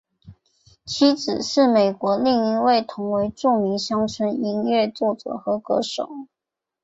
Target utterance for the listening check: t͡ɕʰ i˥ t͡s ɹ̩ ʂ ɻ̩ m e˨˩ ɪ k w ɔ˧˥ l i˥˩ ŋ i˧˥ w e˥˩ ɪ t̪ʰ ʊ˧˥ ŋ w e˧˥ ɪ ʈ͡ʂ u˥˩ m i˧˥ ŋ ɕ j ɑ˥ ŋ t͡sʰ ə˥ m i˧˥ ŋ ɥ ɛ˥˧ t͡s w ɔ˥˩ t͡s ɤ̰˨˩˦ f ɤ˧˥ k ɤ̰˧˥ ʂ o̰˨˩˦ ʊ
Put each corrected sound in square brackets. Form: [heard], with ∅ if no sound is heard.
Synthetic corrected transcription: t͡ɕʰ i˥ t͡s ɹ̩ ʂ ɻ̩ m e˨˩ ɪ k w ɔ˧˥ l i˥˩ ŋ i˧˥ w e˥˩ ɪ t̪ʰ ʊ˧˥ ŋ w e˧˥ ɪ ʈ͡ʂ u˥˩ m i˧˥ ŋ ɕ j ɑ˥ ŋ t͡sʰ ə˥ [n] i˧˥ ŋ ɥ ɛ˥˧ t͡s w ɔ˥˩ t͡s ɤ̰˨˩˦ [x] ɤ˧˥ k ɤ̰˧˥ ʂ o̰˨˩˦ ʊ